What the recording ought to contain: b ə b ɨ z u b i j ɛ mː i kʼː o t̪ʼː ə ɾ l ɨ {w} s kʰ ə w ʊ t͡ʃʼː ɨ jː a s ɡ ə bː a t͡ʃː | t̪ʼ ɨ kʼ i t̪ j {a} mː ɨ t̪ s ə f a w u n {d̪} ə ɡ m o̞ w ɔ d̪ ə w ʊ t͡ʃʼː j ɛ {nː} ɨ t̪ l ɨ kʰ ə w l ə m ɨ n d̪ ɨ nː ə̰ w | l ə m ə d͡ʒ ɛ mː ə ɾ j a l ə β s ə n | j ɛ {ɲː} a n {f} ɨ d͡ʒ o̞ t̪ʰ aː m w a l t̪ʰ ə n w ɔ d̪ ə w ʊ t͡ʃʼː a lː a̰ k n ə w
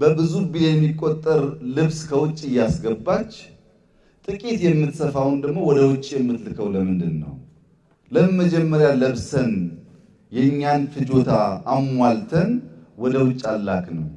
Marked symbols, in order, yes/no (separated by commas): no, no, yes, no, yes, yes